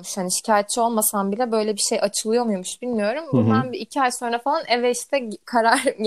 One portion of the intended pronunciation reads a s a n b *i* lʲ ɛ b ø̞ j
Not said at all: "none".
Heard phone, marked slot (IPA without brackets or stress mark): i